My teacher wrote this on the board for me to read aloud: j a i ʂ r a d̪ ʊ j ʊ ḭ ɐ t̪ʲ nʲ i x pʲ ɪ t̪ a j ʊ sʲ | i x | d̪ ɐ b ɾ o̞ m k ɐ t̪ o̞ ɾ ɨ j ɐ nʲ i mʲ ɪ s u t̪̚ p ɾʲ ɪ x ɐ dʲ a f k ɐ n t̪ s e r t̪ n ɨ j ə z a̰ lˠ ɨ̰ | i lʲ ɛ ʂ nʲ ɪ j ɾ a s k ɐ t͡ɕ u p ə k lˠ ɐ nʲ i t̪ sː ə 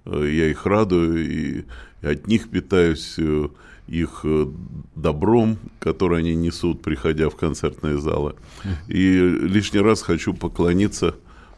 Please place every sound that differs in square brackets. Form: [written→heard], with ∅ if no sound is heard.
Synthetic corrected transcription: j a i [ʂ→x] r a d̪ ʊ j ʊ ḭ ɐ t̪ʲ nʲ i x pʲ ɪ t̪ a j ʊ sʲ | i x | d̪ ɐ b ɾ o̞ m k ɐ t̪ o̞ ɾ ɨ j ɐ nʲ i [mʲ→nʲ] ɪ s u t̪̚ p ɾʲ ɪ x ɐ dʲ a f k ɐ n t̪ s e r t̪ n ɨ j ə z a̰ lˠ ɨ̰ | i lʲ [ɛ→i] ʂ nʲ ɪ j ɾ a s [k→x] ɐ t͡ɕ u p ə k lˠ ɐ nʲ i t̪ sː ə